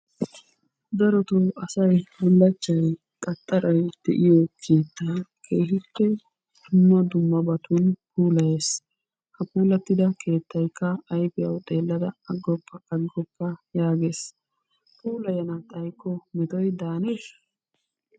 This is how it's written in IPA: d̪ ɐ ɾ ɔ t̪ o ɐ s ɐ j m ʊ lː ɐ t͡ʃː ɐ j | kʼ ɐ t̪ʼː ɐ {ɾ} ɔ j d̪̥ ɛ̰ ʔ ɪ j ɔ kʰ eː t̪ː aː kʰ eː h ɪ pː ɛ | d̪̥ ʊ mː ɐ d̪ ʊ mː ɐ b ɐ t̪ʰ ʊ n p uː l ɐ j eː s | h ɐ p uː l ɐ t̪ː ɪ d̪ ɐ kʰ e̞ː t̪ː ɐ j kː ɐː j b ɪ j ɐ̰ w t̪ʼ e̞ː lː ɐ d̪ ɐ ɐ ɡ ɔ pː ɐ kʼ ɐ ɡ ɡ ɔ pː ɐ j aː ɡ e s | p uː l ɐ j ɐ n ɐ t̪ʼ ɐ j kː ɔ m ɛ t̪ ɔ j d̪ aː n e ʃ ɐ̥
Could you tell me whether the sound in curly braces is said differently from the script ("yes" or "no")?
no